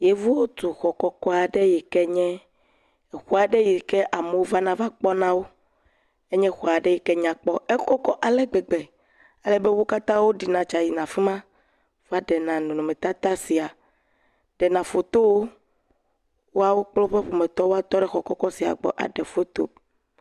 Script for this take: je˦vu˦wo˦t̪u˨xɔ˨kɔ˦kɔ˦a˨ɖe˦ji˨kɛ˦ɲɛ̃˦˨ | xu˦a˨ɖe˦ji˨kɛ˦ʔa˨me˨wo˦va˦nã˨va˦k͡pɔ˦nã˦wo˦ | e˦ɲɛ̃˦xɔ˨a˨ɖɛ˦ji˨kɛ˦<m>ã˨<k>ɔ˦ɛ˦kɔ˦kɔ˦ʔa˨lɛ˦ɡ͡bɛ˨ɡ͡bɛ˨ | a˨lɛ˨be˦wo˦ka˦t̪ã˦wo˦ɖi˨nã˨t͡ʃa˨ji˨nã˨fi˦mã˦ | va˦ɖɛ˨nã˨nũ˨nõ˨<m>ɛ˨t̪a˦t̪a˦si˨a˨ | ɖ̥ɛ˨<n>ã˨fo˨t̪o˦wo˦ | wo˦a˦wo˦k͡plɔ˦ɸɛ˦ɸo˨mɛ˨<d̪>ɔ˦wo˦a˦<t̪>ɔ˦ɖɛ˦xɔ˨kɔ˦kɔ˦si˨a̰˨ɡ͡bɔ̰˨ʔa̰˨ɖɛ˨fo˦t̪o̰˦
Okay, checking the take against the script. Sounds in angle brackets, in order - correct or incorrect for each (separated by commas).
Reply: incorrect, incorrect, correct, correct, incorrect, correct